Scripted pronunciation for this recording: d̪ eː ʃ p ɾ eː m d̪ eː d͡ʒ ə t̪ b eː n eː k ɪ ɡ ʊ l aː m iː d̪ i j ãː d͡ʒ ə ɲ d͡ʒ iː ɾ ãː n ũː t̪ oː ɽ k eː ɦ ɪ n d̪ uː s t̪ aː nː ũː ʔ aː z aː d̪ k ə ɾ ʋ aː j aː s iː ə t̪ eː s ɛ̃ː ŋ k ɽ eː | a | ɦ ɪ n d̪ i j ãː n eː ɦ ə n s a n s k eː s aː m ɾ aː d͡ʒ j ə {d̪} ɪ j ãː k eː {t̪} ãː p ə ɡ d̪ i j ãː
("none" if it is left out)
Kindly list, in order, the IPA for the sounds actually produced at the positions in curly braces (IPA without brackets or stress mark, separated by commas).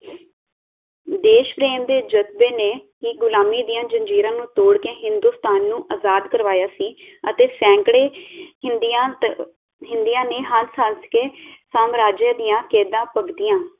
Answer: d̪, d̪